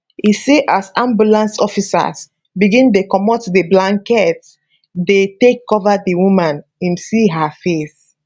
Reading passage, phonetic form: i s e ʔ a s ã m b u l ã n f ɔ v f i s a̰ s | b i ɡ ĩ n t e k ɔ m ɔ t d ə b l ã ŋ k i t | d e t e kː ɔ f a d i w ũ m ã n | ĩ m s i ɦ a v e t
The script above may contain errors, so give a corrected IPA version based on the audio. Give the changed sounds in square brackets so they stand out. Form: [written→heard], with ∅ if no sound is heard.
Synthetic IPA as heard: i s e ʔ a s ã m b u l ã n [f→s] ɔ [v→∅] f i s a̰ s | b i ɡ ĩ n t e k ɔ m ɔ t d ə b l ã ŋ k [i→ɛ] t | d e t e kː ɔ [f→v] a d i w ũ m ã n | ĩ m s i ɦ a [v→f] e [t→s]